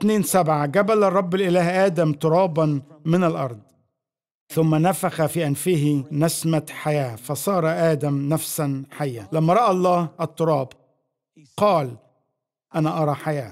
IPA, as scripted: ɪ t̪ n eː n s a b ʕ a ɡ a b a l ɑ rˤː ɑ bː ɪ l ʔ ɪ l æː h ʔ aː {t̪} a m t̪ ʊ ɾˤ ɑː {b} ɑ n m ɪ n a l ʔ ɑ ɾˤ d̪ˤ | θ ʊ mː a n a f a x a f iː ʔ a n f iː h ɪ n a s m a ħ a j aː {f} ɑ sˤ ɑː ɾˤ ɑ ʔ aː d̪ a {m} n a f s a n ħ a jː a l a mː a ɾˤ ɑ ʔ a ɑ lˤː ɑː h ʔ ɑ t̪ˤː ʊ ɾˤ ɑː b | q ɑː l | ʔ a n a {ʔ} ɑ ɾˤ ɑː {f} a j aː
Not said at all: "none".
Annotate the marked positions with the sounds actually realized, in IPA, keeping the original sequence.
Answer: d̪, b, f, m, ʔ, ħ

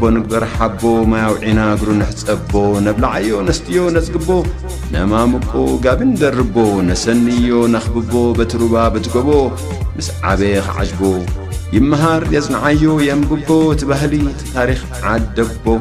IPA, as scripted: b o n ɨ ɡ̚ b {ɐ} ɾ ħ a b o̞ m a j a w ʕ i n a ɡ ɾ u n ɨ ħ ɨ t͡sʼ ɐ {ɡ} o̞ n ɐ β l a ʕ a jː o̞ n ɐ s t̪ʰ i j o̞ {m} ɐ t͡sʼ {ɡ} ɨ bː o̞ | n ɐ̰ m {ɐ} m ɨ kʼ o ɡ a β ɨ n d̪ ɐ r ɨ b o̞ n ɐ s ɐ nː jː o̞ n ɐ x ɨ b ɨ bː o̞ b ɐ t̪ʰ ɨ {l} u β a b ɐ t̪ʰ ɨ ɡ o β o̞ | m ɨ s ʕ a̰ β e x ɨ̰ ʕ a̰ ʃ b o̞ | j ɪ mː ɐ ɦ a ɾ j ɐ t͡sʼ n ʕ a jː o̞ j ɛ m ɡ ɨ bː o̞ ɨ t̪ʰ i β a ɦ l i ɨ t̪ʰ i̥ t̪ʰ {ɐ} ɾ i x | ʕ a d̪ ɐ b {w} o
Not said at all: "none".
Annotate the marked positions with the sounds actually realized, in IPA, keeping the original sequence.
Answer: ɐ, b, n, ɡ, a, ɾ, a, b

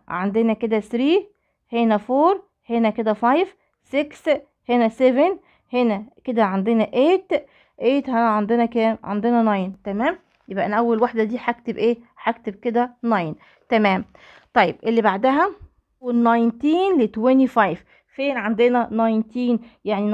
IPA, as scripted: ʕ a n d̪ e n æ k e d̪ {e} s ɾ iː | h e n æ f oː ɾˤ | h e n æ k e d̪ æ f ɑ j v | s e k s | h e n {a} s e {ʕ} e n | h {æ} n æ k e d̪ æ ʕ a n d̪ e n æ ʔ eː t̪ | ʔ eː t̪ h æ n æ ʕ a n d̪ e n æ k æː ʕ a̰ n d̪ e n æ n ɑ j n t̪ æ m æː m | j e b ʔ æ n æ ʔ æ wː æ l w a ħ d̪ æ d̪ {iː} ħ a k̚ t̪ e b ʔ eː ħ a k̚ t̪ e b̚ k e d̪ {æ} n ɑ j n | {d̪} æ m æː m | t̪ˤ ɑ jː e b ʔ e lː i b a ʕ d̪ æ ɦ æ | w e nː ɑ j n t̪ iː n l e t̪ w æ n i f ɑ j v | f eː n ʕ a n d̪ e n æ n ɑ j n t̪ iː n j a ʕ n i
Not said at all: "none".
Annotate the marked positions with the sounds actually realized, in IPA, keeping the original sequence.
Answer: æ, æ, v, e, iː, æ, t̪

